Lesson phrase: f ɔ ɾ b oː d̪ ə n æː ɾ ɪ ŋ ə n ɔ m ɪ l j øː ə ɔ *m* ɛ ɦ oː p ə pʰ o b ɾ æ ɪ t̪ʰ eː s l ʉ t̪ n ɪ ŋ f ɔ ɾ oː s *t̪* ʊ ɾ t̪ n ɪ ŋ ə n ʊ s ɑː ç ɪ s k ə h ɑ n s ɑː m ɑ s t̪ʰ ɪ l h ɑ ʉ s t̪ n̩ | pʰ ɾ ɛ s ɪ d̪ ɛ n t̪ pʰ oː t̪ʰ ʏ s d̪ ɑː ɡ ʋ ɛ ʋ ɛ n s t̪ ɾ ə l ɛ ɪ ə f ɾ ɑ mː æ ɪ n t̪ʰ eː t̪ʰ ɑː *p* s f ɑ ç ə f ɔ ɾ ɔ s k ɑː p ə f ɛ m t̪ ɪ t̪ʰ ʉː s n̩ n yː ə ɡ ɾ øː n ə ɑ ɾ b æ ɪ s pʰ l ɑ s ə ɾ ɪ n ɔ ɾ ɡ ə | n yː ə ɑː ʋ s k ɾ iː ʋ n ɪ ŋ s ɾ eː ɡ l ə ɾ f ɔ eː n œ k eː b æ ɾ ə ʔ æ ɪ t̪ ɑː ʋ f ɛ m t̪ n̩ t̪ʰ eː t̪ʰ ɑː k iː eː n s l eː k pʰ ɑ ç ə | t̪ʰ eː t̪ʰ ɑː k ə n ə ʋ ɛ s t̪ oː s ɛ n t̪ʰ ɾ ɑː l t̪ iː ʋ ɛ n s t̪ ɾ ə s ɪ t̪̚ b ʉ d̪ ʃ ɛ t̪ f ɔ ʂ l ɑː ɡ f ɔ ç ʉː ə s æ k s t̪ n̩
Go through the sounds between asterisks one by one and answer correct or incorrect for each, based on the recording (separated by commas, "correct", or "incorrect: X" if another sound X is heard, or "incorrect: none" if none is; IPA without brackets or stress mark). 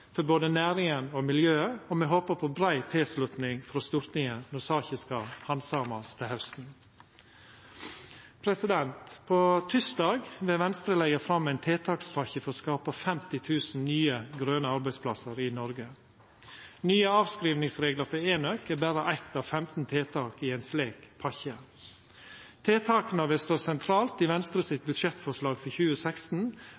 correct, correct, incorrect: k